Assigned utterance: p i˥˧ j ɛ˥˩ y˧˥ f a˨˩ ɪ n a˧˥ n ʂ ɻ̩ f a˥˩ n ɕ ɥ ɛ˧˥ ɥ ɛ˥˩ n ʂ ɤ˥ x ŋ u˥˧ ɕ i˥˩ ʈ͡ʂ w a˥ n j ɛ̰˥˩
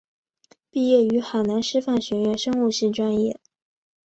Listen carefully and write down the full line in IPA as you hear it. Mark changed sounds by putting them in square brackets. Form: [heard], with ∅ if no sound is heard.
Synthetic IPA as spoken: p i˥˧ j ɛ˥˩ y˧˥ [x] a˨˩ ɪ n a˧˥ n ʂ ɻ̩ f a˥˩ n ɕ ɥ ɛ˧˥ ɥ [ɛ˧˥] n ʂ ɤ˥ [∅] ŋ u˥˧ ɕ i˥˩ ʈ͡ʂ w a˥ n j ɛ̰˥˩